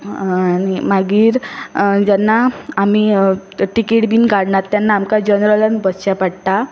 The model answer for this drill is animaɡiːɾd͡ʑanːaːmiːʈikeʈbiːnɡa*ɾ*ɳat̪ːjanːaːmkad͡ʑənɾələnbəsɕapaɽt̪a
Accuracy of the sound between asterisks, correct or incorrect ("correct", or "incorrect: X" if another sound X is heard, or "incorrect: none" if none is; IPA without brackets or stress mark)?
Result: incorrect: ɽ